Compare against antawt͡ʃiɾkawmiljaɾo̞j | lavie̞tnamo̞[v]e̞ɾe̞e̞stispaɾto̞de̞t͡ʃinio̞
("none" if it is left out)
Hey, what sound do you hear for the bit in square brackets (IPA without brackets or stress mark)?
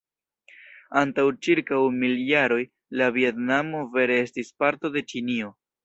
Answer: v